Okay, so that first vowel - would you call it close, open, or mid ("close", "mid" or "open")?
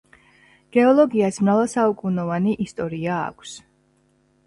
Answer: mid